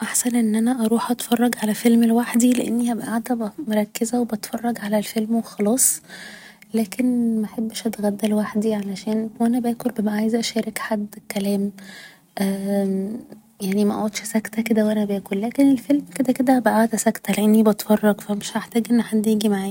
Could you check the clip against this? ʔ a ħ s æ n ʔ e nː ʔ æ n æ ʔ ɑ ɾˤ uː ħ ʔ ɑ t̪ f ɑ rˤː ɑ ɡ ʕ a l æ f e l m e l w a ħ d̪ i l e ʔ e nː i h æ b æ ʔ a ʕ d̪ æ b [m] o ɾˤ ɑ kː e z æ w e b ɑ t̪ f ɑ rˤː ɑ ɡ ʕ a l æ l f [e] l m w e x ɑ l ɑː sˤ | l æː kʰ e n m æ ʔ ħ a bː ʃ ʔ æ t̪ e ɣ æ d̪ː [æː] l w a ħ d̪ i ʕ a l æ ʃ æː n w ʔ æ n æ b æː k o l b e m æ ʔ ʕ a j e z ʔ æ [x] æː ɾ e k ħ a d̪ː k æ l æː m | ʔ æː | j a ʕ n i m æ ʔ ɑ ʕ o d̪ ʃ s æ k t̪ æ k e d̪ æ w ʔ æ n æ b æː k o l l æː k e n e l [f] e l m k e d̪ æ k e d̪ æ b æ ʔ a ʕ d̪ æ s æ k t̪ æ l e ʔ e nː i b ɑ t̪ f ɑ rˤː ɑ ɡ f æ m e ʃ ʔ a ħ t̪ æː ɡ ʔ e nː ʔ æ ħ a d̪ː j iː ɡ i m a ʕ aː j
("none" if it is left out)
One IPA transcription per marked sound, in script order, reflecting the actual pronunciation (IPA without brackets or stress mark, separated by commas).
m, e, æ, ʃ, f